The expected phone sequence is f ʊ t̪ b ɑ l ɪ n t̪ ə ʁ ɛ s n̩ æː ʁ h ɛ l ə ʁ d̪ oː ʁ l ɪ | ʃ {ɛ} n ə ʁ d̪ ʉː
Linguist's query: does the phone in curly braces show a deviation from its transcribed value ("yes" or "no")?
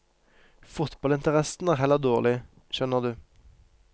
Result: yes